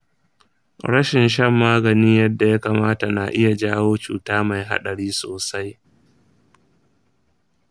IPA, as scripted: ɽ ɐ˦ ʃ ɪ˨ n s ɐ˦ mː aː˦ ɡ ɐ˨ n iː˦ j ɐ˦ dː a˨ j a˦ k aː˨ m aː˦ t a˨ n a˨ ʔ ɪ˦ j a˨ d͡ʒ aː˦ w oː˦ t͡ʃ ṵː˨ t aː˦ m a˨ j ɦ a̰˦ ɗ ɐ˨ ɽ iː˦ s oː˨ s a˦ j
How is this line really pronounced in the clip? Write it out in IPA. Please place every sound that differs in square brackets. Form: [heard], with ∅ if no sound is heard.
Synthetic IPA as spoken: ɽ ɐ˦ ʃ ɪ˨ n [ʃ] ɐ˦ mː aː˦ ɡ ɐ˨ n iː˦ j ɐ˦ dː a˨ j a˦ k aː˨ m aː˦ t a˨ n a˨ ʔ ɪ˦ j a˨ d͡ʒ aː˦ w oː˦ t͡ʃ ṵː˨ t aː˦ m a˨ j ɦ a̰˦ ɗ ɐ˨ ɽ iː˦ s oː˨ s a˦ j